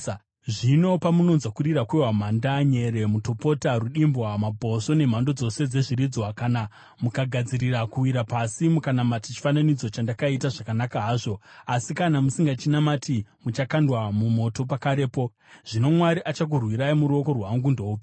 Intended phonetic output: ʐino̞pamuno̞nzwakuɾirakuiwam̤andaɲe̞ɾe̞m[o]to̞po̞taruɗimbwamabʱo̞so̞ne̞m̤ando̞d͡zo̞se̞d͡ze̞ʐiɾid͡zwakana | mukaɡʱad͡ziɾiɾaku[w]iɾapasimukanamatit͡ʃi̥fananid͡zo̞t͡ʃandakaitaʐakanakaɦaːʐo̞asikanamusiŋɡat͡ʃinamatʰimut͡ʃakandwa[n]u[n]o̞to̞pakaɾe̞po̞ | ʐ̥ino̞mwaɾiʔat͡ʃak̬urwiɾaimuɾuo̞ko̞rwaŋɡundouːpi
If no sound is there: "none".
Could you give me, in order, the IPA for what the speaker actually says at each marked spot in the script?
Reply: u, w, m, m

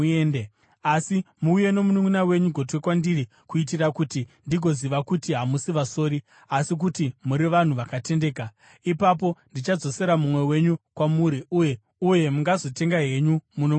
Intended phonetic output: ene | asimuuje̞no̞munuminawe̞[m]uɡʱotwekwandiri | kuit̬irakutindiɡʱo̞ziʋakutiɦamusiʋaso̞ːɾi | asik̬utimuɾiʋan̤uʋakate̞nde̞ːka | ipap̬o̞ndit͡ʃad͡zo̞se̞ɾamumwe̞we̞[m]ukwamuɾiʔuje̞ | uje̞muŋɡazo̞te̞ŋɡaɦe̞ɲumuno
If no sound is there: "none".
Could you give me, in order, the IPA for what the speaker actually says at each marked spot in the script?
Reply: ɲ, ɲ

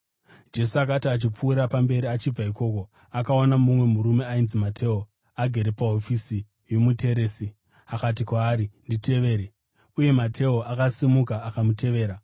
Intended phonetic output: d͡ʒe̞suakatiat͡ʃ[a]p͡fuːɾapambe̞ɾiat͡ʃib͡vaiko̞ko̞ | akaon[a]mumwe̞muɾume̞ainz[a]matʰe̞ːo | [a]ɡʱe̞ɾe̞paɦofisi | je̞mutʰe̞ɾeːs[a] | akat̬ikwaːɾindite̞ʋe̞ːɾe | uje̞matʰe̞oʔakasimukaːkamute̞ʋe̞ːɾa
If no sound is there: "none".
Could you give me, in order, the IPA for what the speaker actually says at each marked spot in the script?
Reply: i, a, i, a, i

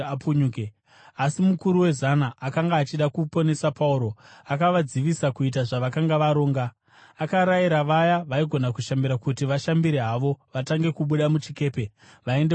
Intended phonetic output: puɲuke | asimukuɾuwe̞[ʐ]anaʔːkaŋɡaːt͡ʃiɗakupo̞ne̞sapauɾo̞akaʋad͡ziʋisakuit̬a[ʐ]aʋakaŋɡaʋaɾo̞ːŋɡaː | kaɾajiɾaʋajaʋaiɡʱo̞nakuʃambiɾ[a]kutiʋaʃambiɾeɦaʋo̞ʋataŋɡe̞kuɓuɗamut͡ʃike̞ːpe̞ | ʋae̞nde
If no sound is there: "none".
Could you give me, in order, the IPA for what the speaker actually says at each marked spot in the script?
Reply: z, ʐ, a

